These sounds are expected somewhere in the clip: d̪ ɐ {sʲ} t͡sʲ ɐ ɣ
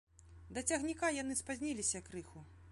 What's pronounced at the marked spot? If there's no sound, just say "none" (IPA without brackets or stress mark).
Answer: none